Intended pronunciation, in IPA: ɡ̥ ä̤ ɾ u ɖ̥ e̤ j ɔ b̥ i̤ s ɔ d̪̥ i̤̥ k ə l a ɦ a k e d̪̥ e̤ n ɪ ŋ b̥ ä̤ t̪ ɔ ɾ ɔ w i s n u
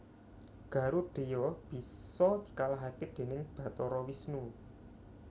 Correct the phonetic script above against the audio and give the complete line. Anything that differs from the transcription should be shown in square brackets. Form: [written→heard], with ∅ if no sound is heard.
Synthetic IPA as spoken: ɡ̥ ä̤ ɾ u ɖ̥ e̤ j ɔ b̥ i̤ s ɔ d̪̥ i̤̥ k [ə→a] l a ɦ a k e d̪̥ e̤ n ɪ ŋ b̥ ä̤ t̪ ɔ ɾ ɔ w i s n u